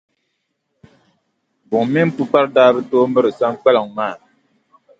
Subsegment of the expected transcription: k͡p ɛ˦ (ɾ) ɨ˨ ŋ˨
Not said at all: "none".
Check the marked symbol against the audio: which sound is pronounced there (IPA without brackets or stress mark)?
l